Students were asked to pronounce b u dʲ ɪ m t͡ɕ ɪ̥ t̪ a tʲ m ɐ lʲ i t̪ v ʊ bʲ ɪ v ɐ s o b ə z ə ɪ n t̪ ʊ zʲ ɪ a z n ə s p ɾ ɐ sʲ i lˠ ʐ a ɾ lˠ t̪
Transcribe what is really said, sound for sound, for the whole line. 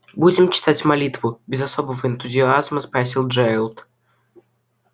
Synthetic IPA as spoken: b u dʲ ɪ m t͡ɕ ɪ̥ t̪ a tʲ m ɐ lʲ i t̪ v ʊ bʲ ɪ z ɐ s o b ə v ə ɪ n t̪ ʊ zʲ ɪ a z m ə s p ɾ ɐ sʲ i lˠ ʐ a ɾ lˠ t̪